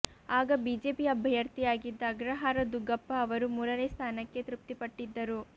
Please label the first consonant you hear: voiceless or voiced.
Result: voiced